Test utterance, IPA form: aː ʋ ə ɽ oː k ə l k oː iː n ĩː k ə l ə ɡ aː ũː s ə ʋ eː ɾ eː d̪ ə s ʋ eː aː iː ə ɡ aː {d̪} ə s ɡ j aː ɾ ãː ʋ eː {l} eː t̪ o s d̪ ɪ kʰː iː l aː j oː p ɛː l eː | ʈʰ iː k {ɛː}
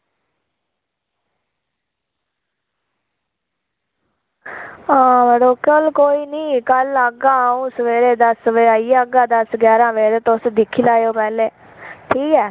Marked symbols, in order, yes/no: yes, no, yes

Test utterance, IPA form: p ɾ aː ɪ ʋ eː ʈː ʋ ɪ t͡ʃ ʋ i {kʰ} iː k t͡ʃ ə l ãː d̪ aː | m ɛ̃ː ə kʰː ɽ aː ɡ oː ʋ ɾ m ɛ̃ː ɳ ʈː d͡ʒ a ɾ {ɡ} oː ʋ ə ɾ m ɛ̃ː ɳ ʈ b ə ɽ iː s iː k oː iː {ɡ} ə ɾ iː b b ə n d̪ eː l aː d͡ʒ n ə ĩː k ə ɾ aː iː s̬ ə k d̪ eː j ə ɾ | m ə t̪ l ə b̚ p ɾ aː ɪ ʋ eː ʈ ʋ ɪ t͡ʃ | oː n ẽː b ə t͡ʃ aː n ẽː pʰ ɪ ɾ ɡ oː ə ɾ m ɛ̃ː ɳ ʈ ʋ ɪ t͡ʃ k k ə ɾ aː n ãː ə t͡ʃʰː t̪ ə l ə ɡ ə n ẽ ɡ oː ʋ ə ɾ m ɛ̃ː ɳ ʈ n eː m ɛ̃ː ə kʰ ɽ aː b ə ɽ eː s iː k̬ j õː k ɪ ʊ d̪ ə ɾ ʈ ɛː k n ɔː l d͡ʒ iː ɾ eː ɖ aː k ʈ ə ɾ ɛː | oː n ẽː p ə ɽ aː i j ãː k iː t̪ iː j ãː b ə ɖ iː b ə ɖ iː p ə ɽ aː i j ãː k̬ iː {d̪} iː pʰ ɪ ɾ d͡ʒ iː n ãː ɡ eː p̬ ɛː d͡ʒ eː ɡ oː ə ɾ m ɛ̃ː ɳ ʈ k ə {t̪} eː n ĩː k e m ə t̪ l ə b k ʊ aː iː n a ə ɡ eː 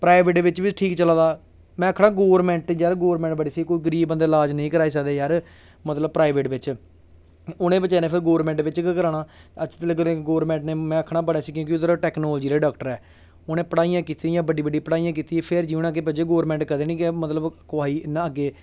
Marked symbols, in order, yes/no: no, yes, yes, no, no

